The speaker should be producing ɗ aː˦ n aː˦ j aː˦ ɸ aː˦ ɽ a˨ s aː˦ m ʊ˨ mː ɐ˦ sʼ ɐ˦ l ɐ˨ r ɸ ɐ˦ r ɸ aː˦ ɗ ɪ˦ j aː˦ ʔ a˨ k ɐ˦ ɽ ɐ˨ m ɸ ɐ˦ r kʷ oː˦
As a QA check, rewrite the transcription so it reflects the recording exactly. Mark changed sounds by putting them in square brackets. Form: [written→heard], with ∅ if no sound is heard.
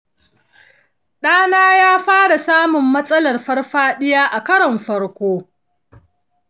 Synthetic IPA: ɗ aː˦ n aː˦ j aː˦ ɸ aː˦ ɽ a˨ s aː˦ m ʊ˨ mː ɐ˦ sʼ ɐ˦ l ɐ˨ r ɸ ɐ˦ r ɸ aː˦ ɗ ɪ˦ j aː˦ ʔ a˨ k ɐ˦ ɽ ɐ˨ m ɸ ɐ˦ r kʷ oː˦